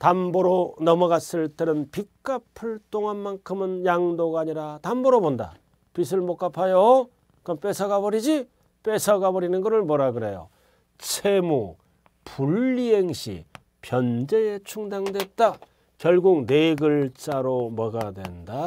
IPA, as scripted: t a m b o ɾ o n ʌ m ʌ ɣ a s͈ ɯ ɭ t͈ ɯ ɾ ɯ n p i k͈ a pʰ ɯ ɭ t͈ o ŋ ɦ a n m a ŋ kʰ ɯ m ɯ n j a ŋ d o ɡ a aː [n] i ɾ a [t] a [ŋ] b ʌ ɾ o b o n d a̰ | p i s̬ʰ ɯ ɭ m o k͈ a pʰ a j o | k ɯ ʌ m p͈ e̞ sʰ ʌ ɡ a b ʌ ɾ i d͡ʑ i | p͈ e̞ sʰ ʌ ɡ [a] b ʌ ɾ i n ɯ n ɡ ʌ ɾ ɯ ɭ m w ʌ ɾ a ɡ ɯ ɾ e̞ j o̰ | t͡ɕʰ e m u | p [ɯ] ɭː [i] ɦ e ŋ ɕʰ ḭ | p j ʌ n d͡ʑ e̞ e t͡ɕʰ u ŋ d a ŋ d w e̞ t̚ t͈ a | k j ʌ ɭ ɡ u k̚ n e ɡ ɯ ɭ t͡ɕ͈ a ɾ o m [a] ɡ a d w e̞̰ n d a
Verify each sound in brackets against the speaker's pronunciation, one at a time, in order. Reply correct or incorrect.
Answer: incorrect: ɲ, correct, incorrect: m, correct, incorrect: u, correct, incorrect: ʌ

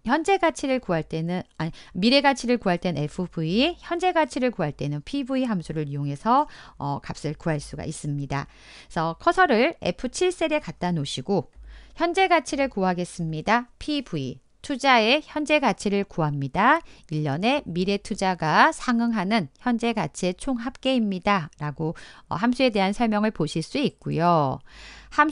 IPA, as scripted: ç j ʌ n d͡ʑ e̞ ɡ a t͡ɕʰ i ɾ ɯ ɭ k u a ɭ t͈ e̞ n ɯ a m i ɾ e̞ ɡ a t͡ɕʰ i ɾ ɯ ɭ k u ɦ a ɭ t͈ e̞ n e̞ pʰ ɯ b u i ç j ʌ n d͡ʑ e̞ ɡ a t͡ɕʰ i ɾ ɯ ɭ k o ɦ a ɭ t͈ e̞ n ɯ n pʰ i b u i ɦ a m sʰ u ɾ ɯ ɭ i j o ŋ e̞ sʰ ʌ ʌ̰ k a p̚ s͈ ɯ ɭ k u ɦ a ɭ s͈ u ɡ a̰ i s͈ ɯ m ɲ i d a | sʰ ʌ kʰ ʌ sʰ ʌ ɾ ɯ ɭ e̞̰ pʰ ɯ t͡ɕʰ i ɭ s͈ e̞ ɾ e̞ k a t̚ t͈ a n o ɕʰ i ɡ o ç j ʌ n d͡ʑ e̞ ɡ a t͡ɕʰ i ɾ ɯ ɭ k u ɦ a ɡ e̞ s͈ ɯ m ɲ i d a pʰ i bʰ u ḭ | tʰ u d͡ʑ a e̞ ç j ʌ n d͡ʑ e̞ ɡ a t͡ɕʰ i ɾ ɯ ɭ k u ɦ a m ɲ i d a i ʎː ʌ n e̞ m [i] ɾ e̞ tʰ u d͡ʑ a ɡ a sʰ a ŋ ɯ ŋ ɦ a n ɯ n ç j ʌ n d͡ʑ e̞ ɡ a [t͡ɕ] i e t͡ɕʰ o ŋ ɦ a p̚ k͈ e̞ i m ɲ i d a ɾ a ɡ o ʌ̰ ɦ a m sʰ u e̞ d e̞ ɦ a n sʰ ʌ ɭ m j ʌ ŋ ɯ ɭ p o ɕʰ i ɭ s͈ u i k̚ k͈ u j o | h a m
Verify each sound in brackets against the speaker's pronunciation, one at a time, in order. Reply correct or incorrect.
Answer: correct, incorrect: t͡ɕʰ

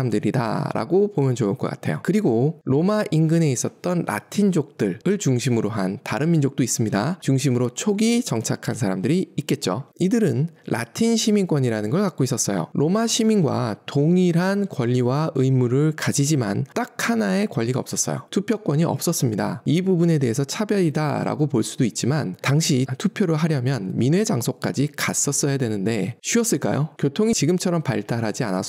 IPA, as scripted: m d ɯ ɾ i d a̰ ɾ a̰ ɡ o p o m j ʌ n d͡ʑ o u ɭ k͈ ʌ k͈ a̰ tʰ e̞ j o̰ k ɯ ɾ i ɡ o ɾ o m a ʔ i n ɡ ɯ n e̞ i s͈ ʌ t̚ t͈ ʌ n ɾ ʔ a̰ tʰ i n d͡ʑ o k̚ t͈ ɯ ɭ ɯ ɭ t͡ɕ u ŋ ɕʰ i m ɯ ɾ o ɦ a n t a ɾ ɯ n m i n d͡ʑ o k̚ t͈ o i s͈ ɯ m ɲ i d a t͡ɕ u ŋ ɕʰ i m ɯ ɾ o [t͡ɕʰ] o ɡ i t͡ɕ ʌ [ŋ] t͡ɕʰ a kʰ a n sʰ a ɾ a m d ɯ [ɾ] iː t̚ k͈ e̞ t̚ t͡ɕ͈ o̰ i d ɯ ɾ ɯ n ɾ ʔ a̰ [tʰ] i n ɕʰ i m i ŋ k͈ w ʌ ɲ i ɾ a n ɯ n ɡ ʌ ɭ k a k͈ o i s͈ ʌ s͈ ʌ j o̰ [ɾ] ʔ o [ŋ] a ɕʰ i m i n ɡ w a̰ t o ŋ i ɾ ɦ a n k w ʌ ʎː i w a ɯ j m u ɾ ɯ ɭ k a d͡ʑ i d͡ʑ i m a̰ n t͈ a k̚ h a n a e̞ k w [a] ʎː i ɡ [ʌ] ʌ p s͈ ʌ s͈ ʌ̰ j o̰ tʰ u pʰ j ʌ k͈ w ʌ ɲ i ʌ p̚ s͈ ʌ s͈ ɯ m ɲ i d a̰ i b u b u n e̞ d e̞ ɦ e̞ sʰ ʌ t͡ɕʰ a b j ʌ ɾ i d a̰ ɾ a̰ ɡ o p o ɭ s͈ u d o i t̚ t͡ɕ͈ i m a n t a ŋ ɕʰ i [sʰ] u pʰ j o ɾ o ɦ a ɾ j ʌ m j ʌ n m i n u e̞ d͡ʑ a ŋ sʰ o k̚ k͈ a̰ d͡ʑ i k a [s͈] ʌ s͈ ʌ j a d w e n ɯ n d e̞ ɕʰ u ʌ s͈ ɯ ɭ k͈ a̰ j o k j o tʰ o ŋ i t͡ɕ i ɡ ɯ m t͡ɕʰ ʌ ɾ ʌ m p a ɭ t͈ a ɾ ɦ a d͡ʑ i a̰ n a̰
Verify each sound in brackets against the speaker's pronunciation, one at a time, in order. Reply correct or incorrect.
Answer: correct, correct, correct, correct, correct, incorrect: m, incorrect: ʌ, incorrect: a, incorrect: tʰ, correct

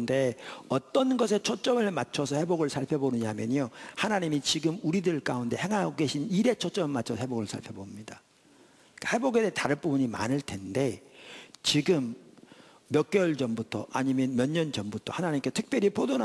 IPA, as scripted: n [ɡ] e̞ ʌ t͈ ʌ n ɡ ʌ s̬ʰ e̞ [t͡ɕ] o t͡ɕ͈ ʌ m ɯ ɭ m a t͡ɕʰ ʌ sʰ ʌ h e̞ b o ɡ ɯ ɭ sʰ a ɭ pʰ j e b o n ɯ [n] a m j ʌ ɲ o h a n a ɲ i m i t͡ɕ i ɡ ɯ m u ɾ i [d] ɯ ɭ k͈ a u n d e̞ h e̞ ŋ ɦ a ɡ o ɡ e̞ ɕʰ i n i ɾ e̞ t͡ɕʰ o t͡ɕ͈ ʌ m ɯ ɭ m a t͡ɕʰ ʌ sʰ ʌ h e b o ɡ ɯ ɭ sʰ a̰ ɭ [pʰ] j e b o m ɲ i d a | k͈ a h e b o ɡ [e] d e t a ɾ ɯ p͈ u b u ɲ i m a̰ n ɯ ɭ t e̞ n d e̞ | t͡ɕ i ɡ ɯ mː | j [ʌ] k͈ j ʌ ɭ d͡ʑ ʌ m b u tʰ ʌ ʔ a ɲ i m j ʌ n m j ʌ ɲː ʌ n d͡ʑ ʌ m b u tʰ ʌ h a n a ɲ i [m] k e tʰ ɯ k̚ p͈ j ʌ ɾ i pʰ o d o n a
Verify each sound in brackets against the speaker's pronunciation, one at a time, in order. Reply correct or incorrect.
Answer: incorrect: d, incorrect: t͡ɕʰ, incorrect: ɲ, correct, correct, correct, correct, correct

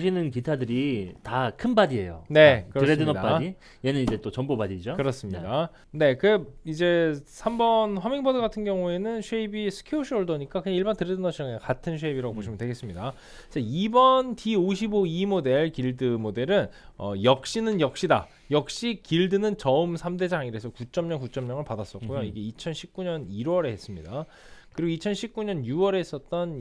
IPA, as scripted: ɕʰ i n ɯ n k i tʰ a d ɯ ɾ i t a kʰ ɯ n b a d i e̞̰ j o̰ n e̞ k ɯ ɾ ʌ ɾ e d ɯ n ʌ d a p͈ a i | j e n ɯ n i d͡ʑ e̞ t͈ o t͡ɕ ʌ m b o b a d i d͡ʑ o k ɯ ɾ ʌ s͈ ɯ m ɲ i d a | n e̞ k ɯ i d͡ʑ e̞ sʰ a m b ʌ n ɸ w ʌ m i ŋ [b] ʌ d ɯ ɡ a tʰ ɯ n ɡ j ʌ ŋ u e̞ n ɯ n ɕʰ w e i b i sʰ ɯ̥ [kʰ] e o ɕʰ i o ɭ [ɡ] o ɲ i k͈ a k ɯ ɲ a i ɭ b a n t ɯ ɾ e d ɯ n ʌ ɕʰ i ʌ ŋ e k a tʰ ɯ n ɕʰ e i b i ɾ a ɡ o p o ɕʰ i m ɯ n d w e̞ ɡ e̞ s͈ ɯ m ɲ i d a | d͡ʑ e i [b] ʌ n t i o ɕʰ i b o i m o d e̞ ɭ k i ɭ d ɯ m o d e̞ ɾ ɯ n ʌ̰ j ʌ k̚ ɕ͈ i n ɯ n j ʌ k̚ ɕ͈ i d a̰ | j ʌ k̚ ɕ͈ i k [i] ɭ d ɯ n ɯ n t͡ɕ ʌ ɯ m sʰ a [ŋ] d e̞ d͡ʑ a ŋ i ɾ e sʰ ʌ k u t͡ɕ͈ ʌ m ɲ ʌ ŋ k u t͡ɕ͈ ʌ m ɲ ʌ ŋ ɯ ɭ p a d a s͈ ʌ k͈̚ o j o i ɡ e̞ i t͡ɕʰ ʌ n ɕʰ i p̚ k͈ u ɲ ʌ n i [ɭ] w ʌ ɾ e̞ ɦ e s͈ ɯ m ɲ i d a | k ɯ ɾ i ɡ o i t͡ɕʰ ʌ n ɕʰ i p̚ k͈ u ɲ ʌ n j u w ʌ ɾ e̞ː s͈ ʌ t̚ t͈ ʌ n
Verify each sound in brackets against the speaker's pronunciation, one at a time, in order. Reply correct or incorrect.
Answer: correct, correct, incorrect: d, correct, correct, incorrect: m, incorrect: ɾ

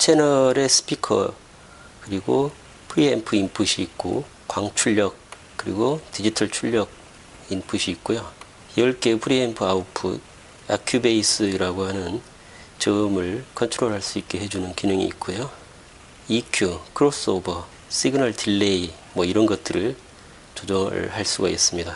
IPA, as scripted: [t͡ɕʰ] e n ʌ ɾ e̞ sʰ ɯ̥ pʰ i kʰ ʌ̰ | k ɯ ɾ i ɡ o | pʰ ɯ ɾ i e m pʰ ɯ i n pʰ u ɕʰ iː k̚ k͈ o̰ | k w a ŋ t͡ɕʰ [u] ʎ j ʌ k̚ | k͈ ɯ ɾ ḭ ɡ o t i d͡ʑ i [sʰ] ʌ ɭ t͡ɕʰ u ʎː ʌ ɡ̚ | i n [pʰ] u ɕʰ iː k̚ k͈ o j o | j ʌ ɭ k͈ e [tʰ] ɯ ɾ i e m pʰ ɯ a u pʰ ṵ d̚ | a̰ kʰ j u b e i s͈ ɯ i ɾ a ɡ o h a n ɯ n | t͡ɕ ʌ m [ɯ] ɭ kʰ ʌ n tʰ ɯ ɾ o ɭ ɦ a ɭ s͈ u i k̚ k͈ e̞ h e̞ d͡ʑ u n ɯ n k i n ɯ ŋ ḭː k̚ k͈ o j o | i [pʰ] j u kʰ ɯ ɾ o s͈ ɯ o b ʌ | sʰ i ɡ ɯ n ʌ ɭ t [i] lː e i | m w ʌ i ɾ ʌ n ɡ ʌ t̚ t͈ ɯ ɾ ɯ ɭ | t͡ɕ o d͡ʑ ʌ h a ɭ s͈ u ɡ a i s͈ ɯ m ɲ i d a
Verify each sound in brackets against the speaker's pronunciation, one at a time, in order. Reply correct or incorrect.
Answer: correct, correct, incorrect: tʰ, correct, incorrect: pʰ, correct, incorrect: kʰ, correct

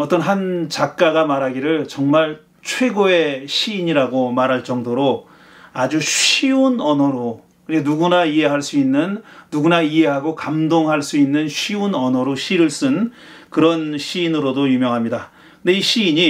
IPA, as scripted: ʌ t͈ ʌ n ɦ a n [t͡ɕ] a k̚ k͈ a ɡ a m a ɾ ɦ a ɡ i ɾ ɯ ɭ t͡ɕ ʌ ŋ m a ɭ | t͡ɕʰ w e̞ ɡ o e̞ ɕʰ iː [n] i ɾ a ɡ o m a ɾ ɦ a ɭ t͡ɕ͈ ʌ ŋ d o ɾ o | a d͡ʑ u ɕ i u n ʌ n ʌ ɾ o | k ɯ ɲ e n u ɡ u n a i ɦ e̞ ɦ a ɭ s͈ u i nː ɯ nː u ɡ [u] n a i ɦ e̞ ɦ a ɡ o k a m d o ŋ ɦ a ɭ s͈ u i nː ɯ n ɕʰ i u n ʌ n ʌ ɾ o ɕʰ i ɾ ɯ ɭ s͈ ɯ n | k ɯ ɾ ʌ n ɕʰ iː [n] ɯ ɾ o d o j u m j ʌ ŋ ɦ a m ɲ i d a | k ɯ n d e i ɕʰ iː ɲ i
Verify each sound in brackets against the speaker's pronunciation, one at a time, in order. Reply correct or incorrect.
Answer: correct, incorrect: ɲ, correct, correct

